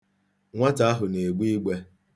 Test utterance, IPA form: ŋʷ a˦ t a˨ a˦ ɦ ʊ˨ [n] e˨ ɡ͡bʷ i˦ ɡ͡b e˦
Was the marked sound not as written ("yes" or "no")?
no